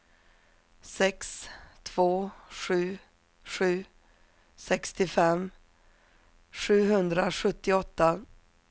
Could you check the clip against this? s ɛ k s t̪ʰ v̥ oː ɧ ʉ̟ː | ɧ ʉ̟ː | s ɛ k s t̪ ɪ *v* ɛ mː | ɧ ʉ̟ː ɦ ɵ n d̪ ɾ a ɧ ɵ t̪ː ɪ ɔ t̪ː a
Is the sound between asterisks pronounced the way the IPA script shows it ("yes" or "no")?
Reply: no